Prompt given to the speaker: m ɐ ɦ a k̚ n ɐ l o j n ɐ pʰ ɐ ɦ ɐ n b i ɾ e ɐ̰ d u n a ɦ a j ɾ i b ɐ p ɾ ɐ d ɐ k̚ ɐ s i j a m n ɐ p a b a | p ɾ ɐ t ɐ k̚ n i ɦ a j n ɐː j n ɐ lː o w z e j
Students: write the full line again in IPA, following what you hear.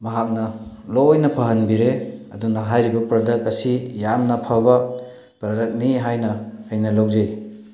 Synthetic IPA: m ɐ ɦ a k̚ n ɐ l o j n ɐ pʰ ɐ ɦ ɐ n b i ɾ e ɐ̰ d u n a ɦ a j ɾ i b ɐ p ɾ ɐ d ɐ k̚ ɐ s i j a m n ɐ pʰ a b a | p ɾ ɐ d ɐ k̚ n i ɦ a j n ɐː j n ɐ l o w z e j

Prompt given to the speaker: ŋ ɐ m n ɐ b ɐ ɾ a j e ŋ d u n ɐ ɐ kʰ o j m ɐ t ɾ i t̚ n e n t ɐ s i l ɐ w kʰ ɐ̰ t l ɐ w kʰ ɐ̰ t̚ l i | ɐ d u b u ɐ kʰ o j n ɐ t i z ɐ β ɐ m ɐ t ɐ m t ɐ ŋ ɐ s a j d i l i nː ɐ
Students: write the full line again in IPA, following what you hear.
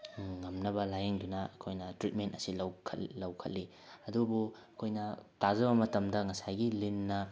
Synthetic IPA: ŋ ɐ m n ɐ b ɐ l a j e ŋ d u n ɐ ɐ kʰ o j n ɐ t ɾ i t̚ m e n t ɐ s i l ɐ w kʰ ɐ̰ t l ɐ w kʰ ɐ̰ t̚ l i | ɐ d u b u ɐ kʰ o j n ɐ t a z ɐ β ɐ m ɐ t ɐ m d ɐ ŋ ɐ s a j ɡ i l i nː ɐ

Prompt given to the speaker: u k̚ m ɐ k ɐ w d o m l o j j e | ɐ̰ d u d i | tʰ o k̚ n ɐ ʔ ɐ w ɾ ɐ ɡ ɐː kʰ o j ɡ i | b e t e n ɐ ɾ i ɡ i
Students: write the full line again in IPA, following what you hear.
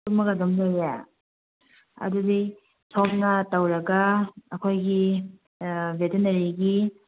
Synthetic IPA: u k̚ m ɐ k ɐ d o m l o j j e | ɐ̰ d u d i | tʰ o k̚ n ɐ t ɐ w ɾ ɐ ɡ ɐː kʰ o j ɡ i | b e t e n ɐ ɾ i ɡ i

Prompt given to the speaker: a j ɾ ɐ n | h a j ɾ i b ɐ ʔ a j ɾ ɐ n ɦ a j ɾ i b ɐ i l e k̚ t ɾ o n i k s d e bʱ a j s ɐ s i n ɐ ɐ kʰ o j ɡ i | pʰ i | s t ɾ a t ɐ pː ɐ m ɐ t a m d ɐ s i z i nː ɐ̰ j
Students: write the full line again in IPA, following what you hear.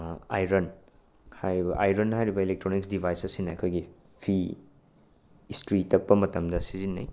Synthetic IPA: a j ɾ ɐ n | h a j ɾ i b ɐ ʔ a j ɾ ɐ n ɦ a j ɾ i b ɐ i l e k̚ t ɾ o n i k s d i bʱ a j s ɐ s i n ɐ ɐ kʰ o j ɡ i | pʰ i | s t ɾ i t ɐ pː ɐ m ɐ t ɐ m d ɐ s i z i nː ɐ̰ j

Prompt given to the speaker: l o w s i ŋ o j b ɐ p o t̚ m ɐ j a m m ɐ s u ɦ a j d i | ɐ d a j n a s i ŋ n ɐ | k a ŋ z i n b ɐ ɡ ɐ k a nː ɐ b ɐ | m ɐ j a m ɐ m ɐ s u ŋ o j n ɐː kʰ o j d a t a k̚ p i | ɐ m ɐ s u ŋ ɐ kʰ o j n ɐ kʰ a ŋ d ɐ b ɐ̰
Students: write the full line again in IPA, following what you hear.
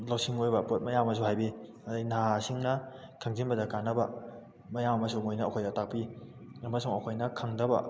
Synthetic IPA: l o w s i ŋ o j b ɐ p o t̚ m ɐ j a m m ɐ s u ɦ a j b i | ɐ d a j n a s i ŋ n ɐ | kʰ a ŋ z i n b ɐ d ɐ k a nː ɐ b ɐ | m ɐ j a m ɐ m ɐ s u ŋ o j n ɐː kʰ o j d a t a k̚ p i | ɐ m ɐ s u ŋ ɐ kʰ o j n ɐ kʰ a ŋ d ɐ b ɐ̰

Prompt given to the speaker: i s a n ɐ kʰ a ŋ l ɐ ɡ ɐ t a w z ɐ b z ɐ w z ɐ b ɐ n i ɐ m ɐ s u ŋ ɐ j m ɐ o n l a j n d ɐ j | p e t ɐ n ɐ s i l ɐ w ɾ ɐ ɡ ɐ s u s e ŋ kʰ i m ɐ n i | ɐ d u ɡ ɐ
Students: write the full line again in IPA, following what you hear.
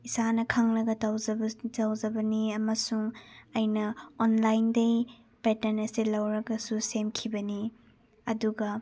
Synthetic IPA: i s a n ɐ kʰ a ŋ l ɐ ɡ ɐ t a w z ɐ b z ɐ w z ɐ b ɐ n i ɐ m ɐ s u ŋ ɐ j n ɐ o n l a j n d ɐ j | p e t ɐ n ɐ s i l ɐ w ɾ ɐ ɡ ɐ s u s e m kʰ i b ɐ n i | ɐ d u ɡ ɐ

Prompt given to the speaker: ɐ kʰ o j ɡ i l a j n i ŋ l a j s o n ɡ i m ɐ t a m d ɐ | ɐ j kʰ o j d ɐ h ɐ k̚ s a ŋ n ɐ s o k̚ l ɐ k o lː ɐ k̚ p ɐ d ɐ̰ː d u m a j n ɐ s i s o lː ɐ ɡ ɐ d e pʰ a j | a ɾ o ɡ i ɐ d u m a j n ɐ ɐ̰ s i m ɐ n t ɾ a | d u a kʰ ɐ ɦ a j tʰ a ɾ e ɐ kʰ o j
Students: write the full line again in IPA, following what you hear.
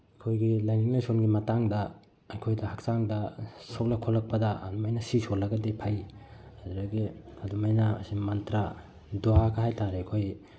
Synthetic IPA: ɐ kʰ o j ɡ i l a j n i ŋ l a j s o n ɡ i m ɐ t a ŋ d ɐ | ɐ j kʰ o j d ɐ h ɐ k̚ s a ŋ d ɐ s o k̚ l ɐ kʰ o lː ɐ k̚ p ɐ d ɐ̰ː d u m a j n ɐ s i s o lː ɐ ɡ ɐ d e pʰ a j | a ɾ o ɡ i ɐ d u m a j n ɐ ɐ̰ s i m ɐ n t ɾ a | d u a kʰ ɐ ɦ a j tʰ a ɾ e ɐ kʰ o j

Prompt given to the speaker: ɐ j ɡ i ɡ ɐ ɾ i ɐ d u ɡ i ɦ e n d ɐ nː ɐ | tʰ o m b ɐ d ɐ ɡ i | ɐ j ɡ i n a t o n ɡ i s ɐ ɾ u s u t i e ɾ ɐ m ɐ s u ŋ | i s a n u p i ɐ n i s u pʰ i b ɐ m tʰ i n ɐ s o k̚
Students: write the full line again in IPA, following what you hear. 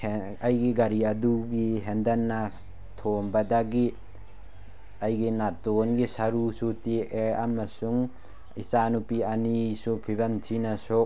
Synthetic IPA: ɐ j ɡ i ɡ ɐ ɾ i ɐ d u ɡ i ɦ e n d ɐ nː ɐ | tʰ o m b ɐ d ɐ ɡ i | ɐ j ɡ i n a t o n ɡ i s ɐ ɾ u s u t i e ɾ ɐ m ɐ s u ŋ | i s a n u p i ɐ n i s u pʰ i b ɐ m tʰ i n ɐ s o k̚

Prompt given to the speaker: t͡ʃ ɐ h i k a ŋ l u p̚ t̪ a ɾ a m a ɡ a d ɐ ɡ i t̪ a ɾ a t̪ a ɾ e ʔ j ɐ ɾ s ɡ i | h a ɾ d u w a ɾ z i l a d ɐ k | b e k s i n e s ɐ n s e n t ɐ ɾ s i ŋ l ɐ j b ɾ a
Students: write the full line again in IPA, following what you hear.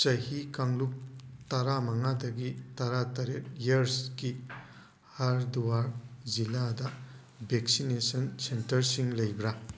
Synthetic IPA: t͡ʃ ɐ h i k a ŋ l u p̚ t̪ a ɾ a m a ŋ a d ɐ ɡ i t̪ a ɾ a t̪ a ɾ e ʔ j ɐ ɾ s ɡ i | h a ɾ d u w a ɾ z i l a d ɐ | b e k s i n e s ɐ n s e n t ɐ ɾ s i ŋ l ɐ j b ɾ a

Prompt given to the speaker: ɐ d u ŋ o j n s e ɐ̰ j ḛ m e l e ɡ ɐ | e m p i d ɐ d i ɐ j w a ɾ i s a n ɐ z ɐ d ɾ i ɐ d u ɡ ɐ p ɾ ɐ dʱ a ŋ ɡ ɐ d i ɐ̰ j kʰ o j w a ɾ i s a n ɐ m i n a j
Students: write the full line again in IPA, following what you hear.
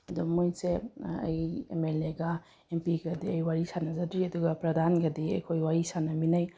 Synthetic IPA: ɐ d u m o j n s e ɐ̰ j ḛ m e l e ɡ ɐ | e m p i ɡ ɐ d i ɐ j w a ɾ i s a n ɐ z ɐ d ɾ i ɐ d u ɡ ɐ p ɾ ɐ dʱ a n ɡ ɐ d i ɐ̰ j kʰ o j w a ɾ i s a n ɐ m i n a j

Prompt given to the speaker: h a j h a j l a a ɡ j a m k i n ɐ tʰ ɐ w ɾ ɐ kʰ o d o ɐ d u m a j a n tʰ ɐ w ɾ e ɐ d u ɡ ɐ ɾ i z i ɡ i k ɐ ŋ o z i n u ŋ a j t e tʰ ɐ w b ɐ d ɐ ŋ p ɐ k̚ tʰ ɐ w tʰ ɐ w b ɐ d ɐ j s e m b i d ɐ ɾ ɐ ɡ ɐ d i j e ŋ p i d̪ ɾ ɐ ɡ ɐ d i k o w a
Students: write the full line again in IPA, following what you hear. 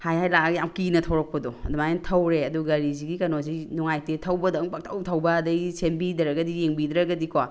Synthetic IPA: h a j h a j l a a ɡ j a m k i n ɐ tʰ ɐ w ɾ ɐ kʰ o d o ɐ d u m a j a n tʰ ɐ w ɾ e ɐ d u ɡ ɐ ɾ i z i ɡ i k ɐ n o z i n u ŋ a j t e tʰ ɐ w b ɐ d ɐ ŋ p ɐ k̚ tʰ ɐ w tʰ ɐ w b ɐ d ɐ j s e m b i d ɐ ɾ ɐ ɡ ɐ d i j e ŋ b i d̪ ɾ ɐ ɡ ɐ d i k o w a

